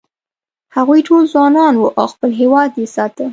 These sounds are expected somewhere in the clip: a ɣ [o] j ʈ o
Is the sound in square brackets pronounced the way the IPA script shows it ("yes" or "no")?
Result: no